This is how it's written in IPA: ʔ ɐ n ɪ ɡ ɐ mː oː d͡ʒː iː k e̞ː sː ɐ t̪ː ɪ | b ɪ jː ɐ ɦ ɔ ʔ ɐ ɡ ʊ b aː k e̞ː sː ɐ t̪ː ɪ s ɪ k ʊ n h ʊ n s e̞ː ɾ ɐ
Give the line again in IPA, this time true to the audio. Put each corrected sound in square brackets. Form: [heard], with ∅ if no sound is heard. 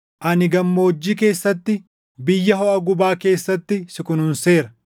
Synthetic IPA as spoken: ʔ ɐ n ɪ ɡ ɐ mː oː d͡ʒː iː k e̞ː sː ɐ t̪ː ɪ | b ɪ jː ɐ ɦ ɔ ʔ ɐ ɡ ʊ b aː k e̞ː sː ɐ t̪ː ɪ s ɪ k ʊ n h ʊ n s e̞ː ɾ ɐ